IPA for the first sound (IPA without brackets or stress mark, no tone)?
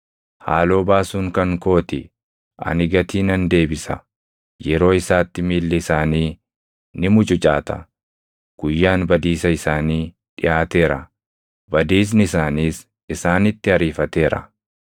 h